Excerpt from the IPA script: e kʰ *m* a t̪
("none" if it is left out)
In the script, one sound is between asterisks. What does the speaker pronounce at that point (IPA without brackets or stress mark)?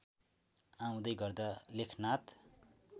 n